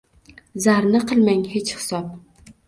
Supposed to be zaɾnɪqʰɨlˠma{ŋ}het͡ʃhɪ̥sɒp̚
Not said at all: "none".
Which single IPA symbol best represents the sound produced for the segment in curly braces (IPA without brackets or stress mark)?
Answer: ŋ